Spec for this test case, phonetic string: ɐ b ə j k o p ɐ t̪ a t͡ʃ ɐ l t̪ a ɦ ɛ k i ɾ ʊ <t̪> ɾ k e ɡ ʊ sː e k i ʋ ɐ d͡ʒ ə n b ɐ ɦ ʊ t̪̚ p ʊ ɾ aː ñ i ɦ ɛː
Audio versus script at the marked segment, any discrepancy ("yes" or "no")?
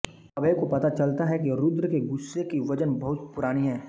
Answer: yes